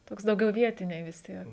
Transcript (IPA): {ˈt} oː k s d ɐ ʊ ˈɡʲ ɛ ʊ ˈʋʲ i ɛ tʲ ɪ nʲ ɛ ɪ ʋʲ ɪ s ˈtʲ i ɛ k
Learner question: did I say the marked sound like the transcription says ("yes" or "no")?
yes